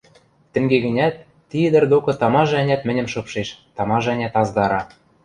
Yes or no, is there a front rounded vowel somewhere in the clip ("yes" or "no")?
no